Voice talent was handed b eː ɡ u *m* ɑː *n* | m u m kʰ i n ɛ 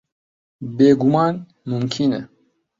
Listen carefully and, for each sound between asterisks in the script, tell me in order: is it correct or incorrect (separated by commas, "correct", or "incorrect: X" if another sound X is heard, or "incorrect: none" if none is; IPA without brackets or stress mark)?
correct, correct